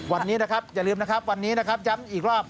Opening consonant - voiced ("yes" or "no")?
yes